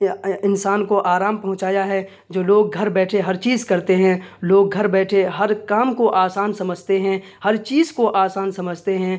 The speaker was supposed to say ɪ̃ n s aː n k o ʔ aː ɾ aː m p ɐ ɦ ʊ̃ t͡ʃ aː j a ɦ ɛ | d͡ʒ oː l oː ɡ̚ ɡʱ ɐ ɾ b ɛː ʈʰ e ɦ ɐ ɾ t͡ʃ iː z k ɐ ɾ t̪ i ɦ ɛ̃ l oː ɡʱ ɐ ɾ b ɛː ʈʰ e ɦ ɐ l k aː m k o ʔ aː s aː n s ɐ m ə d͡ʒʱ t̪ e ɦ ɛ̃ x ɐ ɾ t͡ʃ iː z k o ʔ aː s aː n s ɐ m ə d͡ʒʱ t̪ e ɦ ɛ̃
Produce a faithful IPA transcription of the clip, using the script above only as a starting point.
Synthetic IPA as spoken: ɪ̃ n s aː n k o ʔ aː ɾ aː m p ɐ ɦ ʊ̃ t͡ʃ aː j a ɦ ɛ | d͡ʒ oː l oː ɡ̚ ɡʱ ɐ ɾ b ɛː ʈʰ e ɦ ɐ ɾ t͡ʃ iː z k ɐ ɾ t̪ e ɦ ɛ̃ l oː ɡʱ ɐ ɾ b ɛː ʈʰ e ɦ ɐ ɾ k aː m k o ʔ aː s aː n s ɐ m ə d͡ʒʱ t̪ e ɦ ɛ̃ h ɐ ɾ t͡ʃ iː z k o ʔ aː s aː n s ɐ m ə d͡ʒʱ t̪ e ɦ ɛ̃